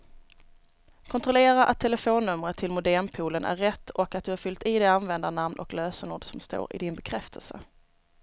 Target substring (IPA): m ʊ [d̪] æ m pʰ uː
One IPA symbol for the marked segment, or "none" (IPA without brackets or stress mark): d̪